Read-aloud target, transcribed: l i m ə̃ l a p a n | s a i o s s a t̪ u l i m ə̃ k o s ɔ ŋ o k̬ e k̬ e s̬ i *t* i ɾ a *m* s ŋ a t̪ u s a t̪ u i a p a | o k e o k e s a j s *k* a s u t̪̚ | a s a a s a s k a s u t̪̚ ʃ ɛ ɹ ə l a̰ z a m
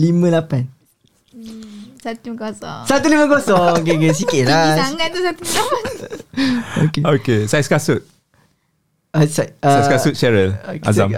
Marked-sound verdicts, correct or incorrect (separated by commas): incorrect, incorrect, correct